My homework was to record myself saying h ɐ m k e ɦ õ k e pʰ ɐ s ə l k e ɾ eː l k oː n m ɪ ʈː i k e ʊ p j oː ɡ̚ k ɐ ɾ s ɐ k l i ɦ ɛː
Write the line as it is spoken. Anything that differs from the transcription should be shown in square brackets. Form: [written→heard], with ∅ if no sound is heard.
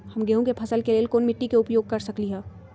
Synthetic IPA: h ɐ m [k→ɡ] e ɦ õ k e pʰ ɐ s ə l k e [ɾ→l] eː l k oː n m ɪ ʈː i k e ʊ p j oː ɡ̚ k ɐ ɾ s ɐ k l i ɦ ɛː